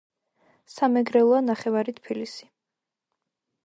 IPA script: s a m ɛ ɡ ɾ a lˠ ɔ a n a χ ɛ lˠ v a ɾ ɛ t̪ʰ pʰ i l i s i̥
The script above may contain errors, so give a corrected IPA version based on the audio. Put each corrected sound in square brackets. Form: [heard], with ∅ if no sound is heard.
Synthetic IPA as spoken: s a m ɛ ɡ ɾ [ɛ] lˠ ɔ a n a χ ɛ [∅] v a ɾ [i] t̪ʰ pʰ i l i s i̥